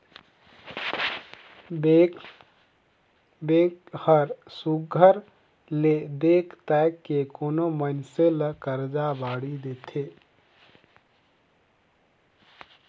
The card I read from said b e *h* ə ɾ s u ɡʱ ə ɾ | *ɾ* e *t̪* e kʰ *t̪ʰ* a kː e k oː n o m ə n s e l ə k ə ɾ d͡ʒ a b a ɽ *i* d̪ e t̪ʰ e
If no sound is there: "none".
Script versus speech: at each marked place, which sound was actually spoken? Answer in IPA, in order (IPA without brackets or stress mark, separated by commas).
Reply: h, l, d̪, t̪, i